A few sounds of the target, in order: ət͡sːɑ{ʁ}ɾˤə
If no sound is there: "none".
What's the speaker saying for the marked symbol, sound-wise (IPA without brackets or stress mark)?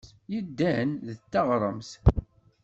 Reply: ʁ